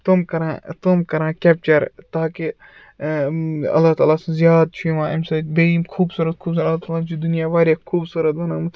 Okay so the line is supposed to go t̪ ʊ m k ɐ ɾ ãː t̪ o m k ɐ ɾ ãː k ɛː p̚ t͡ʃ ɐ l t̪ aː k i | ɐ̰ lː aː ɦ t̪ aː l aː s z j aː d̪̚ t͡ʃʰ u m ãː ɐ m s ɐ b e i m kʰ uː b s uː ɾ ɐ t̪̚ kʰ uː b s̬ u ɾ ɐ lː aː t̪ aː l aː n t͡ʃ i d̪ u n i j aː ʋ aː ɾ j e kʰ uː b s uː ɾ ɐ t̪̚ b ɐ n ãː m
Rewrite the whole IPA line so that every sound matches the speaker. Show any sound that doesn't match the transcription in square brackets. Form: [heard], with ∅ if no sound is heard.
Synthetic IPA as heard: t̪ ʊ m k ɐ ɾ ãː t̪ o m k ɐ ɾ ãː k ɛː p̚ t͡ʃ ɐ [ɾ] t̪ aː k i | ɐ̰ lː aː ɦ t̪ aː l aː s z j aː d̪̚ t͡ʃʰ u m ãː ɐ m s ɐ b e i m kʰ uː b s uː ɾ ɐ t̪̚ kʰ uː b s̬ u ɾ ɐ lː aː t̪ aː l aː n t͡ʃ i d̪ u n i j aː ʋ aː ɾ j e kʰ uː b s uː ɾ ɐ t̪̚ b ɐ n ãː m